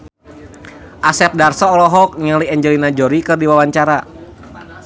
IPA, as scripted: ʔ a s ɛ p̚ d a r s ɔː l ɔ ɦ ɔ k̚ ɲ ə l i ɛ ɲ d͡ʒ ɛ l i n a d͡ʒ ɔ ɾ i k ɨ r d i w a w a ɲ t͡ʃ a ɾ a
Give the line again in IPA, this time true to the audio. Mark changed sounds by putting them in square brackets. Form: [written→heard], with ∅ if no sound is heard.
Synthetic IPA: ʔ a s ɛ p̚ d a r s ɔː l ɔ ɦ ɔ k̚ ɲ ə l i ɛ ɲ d͡ʒ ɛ l i n a d͡ʒ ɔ ɾ i k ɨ r d i w a w a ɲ t͡ʃ a ɾ a